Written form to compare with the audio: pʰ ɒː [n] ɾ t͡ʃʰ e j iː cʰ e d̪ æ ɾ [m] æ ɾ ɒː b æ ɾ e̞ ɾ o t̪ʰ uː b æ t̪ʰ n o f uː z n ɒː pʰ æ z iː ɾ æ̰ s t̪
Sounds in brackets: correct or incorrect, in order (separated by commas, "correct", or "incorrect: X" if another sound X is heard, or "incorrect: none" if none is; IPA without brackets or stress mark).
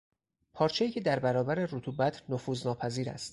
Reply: incorrect: none, incorrect: b